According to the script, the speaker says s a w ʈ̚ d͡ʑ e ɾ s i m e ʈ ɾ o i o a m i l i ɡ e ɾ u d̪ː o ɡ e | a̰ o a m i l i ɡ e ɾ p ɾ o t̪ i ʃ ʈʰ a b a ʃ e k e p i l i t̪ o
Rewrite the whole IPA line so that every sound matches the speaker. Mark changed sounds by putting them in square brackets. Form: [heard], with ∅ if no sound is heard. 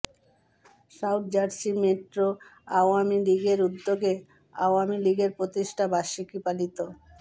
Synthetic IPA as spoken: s a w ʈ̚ d͡ʑ [a] ɾ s i m e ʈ ɾ o [a] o a m i l i ɡ e ɾ u d̪ː o ɡ e | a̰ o a m i l i ɡ e ɾ p ɾ o t̪ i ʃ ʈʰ a b a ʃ [i] k [i] p [a] l i t̪ o